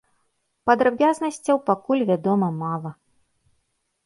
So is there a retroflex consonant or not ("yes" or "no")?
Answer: no